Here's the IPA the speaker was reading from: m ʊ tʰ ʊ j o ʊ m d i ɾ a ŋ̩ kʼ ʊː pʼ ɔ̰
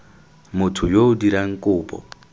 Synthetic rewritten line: m ʊ tʰ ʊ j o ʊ d i ɾ a ŋ̩ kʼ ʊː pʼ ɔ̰